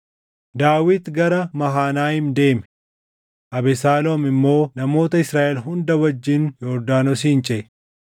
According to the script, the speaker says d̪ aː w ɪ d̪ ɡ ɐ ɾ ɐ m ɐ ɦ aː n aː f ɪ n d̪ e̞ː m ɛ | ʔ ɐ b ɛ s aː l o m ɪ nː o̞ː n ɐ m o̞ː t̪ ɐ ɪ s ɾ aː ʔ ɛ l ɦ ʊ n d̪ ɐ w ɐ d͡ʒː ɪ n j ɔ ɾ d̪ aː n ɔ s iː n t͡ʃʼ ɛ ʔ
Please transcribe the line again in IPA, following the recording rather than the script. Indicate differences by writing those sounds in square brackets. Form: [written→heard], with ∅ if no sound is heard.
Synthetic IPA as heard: d̪ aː w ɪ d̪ ɡ ɐ ɾ ɐ m ɐ ɦ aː n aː [f→h] ɪ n d̪ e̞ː m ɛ | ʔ ɐ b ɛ s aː l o m ɪ [nː→mː] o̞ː n ɐ m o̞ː t̪ ɐ ɪ s ɾ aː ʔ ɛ l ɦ ʊ n d̪ ɐ w ɐ d͡ʒː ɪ n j ɔ ɾ d̪ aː n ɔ s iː n t͡ʃʼ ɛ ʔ